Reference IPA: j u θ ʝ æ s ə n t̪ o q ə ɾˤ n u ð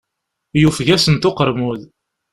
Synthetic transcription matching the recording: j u f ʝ æ s ə n t̪ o q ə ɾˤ m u ð